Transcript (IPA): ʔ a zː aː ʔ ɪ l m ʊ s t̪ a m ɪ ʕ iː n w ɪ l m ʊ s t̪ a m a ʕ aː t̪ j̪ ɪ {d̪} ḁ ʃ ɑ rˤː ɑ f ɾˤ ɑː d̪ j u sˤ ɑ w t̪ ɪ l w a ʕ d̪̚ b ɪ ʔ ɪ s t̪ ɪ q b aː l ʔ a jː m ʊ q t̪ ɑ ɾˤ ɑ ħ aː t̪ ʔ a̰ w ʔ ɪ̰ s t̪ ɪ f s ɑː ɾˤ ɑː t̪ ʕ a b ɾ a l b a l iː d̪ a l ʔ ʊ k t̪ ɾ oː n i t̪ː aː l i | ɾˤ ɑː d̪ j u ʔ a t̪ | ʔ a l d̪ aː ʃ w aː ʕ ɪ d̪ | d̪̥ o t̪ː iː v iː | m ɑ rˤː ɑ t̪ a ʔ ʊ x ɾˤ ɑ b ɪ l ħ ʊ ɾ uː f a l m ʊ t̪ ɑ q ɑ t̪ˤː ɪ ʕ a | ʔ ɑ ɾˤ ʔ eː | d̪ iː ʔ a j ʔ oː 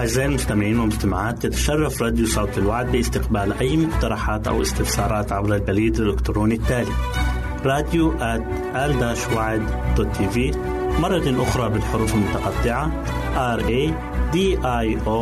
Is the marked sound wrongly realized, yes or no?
yes